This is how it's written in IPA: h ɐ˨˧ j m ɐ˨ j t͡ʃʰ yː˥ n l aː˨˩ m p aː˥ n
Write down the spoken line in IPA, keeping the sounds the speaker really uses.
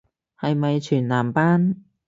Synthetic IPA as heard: h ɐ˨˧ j m ɐ˨ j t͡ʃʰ yː˨˩ n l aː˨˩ m p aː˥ n